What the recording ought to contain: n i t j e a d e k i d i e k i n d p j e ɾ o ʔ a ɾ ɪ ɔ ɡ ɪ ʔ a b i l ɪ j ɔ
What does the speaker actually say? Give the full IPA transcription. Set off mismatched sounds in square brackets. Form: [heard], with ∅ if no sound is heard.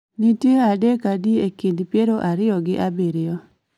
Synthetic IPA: n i t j e a d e k [a] d i e k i n d p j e ɾ o ʔ a ɾ ɪ ɔ ɡ ɪ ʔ a b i [ɾ] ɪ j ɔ